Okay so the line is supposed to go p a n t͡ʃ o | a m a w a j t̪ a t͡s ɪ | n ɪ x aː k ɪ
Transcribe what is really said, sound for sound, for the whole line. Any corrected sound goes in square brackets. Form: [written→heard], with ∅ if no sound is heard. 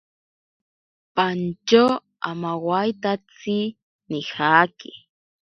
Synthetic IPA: p a n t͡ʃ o | a m a w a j t̪ a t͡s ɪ | n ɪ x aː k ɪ